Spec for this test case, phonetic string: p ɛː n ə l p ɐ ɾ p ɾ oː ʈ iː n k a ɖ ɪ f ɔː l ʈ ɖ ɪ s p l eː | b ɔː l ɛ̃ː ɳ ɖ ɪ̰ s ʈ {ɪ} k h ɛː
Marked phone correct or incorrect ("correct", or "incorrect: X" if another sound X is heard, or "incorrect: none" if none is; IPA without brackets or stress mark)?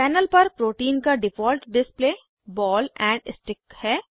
correct